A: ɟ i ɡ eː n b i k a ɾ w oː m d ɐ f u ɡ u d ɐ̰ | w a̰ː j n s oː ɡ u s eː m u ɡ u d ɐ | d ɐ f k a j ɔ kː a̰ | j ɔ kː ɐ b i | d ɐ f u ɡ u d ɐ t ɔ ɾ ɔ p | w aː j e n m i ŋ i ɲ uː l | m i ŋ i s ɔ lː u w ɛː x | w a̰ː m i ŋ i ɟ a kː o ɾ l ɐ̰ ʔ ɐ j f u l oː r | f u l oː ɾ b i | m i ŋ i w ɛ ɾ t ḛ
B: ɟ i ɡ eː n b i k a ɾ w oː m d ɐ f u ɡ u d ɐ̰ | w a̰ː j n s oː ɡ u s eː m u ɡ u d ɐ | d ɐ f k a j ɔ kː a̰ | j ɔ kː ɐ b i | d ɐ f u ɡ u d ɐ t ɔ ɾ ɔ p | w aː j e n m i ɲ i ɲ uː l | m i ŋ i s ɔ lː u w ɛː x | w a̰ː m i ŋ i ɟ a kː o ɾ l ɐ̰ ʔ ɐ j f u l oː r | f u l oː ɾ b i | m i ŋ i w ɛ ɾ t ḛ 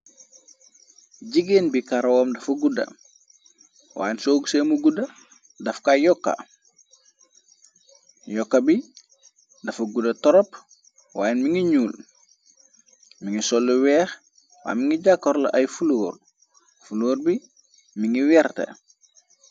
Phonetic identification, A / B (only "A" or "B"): A